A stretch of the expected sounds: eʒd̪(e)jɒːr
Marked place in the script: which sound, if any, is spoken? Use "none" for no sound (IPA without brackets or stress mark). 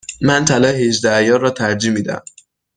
æ